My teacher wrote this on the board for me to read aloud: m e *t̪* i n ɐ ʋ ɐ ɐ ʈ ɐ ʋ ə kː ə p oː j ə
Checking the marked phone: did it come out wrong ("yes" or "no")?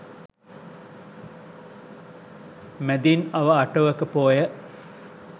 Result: yes